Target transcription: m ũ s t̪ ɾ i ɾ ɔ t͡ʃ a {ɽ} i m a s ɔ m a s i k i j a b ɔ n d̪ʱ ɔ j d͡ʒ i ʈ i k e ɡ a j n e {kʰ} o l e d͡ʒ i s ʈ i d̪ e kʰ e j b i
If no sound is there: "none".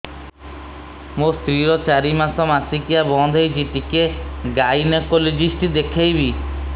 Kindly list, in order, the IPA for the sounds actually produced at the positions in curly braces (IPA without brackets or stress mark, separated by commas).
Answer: ɾ, k